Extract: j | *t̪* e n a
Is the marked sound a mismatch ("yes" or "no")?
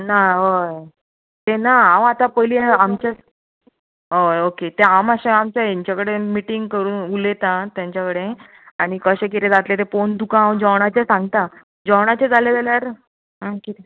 no